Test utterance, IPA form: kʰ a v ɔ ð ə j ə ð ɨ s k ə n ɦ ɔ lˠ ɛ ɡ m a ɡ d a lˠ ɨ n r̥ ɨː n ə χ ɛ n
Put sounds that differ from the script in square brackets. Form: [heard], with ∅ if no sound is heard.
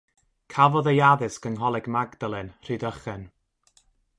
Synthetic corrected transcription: kʰ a v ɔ ð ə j [a] ð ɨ s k ə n ɦ ɔ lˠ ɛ ɡ m a ɡ d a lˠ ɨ n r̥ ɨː [d] ə χ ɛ n